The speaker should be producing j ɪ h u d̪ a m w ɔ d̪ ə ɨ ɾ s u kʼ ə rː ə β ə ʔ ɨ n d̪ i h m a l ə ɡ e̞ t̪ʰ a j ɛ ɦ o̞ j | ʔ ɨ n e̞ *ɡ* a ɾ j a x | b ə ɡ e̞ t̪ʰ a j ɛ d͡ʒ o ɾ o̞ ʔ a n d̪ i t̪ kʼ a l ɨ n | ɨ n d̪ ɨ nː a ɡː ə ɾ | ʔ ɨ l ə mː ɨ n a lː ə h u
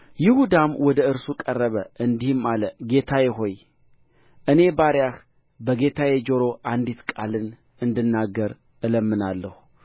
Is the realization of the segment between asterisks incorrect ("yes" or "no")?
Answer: yes